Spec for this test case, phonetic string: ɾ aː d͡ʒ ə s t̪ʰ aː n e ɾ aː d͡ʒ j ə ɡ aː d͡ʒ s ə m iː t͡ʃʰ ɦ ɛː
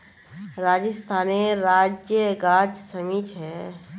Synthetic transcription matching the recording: ɾ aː d͡ʒ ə s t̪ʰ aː n e ɾ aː d͡ʒ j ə ɡ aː d͡ʒ s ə m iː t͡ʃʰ ɦ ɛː